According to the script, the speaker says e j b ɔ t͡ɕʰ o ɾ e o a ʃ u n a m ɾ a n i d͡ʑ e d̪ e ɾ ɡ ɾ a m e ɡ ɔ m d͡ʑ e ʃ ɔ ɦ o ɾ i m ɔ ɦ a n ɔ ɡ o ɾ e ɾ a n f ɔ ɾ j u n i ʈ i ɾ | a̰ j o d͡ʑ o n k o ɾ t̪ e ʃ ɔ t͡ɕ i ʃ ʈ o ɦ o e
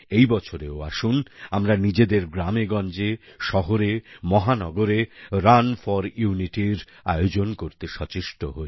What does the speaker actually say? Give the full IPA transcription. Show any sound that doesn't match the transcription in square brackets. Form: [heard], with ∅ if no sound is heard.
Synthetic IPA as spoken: e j b ɔ t͡ɕʰ o ɾ e o a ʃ u n a m ɾ a n i d͡ʑ e d̪ e ɾ ɡ ɾ a m e ɡ ɔ [n] d͡ʑ e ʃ ɔ ɦ o ɾ [e] m ɔ ɦ a n ɔ ɡ o ɾ e ɾ a n f ɔ ɾ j u n i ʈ i ɾ | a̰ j o d͡ʑ o n k o ɾ t̪ e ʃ ɔ t͡ɕ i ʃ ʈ o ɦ o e